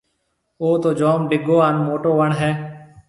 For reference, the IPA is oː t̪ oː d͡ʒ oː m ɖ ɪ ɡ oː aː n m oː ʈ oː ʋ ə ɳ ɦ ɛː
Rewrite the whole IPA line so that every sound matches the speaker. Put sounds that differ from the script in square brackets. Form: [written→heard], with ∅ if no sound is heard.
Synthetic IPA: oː t̪ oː d͡ʒ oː m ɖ ɪ ɡ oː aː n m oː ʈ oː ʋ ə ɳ ɦ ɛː